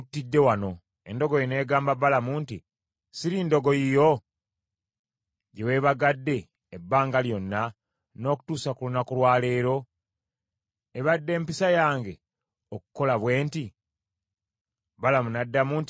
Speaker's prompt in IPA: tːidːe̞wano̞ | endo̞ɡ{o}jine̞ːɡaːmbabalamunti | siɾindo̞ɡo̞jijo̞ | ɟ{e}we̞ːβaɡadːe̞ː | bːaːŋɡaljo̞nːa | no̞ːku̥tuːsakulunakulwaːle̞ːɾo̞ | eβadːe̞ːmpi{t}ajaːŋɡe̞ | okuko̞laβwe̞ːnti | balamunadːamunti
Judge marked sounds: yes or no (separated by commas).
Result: yes, yes, no